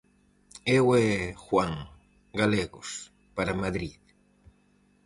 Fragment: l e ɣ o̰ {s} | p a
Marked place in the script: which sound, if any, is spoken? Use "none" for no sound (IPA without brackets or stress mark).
s